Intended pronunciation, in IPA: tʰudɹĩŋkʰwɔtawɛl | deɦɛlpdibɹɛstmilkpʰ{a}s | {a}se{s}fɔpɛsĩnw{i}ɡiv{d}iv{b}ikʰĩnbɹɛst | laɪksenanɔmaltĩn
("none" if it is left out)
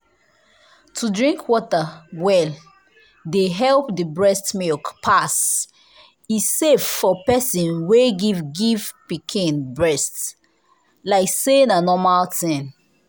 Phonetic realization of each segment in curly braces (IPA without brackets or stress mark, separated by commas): a, i, f, e, ɡ, p